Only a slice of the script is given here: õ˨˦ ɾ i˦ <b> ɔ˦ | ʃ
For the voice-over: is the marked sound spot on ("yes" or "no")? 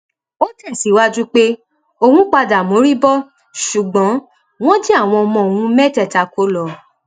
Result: yes